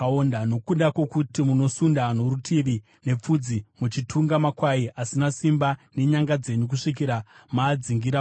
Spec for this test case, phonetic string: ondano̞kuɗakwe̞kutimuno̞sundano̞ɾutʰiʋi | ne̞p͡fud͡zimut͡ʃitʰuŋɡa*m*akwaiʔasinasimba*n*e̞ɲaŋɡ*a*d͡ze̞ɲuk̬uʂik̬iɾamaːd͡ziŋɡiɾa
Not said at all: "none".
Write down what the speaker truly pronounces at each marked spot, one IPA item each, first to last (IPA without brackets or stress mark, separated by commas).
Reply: m, n, a